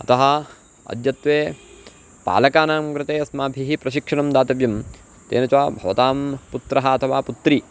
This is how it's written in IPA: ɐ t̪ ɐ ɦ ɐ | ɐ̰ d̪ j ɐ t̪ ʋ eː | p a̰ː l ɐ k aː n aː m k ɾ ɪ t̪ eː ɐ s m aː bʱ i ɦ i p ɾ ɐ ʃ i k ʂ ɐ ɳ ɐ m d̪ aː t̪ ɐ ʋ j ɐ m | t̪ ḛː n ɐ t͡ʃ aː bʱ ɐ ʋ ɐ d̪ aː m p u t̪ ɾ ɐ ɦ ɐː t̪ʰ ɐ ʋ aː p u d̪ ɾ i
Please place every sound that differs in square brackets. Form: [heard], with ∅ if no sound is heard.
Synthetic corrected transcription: ɐ t̪ ɐ ɦ ɐ | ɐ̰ d̪ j ɐ t̪ ʋ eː | p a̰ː l ɐ k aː n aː m k ɾ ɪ t̪ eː ɐ s m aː bʱ i ɦ i p ɾ ɐ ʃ i k ʂ ɐ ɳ ɐ m d̪ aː t̪ ɐ ʋ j ɐ m | t̪ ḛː n ɐ t͡ʃ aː bʱ ɐ ʋ ɐ [t̪] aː m p u t̪ ɾ ɐ ɦ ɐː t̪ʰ ɐ ʋ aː p u [t̪] ɾ i